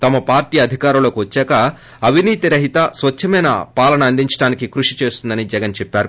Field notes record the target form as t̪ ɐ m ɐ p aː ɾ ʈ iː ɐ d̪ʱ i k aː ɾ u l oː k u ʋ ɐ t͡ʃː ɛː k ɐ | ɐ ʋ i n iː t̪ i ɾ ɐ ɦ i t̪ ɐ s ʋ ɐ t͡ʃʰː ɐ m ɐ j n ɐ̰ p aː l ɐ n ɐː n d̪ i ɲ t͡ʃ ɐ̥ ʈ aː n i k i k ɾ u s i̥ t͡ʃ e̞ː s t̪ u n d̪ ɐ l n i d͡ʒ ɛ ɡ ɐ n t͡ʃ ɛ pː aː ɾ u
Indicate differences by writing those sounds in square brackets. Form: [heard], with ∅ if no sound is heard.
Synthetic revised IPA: t̪ ɐ m ɐ p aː ɾ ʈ iː ɐ d̪ʱ i k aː ɾ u l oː k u ʋ ɐ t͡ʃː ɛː k ɐ | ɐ ʋ i n iː t̪ i ɾ ɐ ɦ i t̪ ɐ s ʋ ɐ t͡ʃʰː ɐ m ɐ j n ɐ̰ p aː l ɐ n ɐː n d̪ i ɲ t͡ʃ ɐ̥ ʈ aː n i k i k ɾ u [ʂ] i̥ t͡ʃ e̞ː s t̪ u n d̪ ɐ [∅] n i d͡ʒ ɛ ɡ ɐ n t͡ʃ ɛ pː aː ɾ u